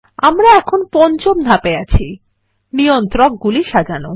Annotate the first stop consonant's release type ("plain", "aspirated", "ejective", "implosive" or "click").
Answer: aspirated